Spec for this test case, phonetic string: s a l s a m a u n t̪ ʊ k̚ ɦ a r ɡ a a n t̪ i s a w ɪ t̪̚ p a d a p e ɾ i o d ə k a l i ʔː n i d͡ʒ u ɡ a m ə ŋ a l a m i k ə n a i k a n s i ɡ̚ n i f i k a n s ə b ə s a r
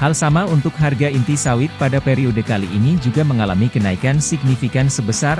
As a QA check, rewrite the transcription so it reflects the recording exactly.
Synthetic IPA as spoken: h a l s a m a u n t̪ ʊ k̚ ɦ a r ɡ a i n t̪ i s a w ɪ t̪̚ p a d a p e ɾ i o d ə k a l i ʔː n i d͡ʒ u ɡ a m ə ŋ a l a m i k ə n a i k a n s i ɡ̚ n i f i k a n s ə b ə s a r